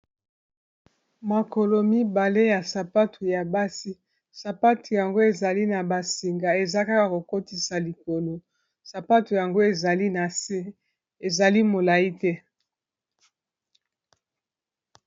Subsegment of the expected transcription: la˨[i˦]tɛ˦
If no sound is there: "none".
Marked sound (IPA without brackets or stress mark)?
i˦